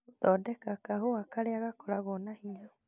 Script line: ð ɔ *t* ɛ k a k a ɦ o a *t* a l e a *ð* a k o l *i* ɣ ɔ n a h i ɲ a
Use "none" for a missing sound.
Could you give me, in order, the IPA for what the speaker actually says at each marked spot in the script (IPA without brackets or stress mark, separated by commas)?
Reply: d, k, ɣ, a